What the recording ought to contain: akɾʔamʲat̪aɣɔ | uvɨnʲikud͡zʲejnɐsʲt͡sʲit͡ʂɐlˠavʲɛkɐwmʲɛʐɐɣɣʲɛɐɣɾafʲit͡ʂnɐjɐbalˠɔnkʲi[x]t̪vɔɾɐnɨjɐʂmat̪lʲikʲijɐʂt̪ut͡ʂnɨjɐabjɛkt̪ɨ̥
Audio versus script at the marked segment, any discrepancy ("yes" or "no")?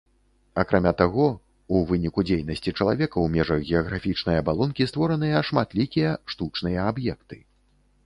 yes